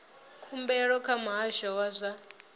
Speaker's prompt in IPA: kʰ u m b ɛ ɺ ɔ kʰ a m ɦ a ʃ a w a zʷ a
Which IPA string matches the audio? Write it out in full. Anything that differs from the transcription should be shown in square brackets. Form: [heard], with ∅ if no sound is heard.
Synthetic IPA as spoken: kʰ u m b ɛ ɺ ɔ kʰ a m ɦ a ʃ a w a zʷ a